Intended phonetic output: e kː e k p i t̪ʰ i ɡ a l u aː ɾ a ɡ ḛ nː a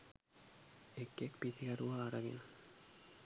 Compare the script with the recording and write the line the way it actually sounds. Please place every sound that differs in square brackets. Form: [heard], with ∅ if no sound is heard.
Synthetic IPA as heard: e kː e k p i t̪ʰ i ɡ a [ɾ] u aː ɾ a ɡ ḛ [n] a